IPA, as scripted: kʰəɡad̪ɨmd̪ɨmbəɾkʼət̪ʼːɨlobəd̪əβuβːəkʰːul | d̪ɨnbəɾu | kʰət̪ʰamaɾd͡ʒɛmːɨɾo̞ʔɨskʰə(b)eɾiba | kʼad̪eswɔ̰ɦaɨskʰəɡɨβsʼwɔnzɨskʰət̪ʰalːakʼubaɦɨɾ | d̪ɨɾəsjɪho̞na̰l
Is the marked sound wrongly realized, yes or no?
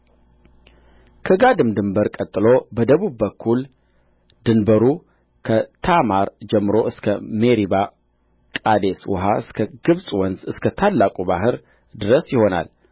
yes